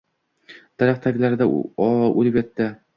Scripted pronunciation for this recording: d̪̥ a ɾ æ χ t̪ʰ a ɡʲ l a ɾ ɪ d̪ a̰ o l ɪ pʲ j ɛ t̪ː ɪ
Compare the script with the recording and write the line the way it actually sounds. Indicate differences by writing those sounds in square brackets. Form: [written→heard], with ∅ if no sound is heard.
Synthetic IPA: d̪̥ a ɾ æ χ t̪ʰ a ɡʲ l a ɾ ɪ d̪ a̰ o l ɪ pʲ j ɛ t̪ː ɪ